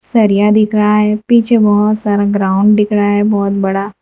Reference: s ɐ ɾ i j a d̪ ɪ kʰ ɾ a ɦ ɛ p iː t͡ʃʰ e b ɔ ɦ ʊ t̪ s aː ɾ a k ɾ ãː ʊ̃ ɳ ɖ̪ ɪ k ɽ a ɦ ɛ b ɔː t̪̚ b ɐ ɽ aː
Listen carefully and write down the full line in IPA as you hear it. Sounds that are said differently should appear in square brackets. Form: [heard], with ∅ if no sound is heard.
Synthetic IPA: s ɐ ɾ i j a d̪ ɪ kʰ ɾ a ɦ ɛ p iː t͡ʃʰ e b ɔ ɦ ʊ t̪ s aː ɾ a [ɡ] ɾ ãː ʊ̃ ɳ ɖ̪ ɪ k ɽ a ɦ ɛ b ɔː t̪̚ b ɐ ɽ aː